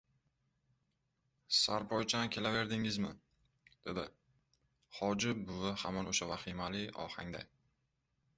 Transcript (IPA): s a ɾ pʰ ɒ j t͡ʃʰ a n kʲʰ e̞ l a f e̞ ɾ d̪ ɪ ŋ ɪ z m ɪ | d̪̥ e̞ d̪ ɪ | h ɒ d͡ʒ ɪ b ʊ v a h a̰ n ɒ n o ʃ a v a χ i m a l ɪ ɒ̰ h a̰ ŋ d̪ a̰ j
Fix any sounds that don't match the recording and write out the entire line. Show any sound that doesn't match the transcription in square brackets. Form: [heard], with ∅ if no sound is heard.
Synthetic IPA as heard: s a ɾ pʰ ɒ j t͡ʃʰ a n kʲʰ e̞ l a [v] e̞ ɾ d̪ ɪ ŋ ɪ z m ɪ | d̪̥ e̞ d̪ ɪ | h ɒ d͡ʒ ɪ b ʊ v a h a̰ [m] ɒ n o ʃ a v a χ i m a l ɪ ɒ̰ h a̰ ŋ d̪ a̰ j